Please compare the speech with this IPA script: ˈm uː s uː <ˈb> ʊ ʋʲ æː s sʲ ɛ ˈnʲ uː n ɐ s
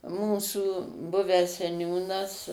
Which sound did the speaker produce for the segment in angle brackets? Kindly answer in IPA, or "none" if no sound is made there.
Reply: b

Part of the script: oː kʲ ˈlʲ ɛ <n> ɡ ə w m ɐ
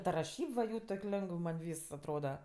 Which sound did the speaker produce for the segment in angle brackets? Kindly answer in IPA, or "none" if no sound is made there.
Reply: ŋ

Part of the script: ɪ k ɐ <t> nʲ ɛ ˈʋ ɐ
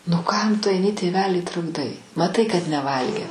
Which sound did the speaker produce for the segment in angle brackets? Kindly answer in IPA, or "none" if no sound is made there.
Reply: t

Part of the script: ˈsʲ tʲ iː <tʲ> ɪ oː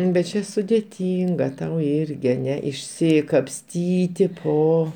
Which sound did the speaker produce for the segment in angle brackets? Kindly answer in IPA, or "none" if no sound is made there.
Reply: tʲ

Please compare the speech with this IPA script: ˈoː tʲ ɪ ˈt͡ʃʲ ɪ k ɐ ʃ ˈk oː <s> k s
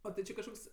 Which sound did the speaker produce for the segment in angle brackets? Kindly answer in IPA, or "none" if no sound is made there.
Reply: none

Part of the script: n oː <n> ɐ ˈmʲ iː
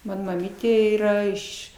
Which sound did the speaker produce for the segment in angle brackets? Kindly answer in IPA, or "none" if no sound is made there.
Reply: m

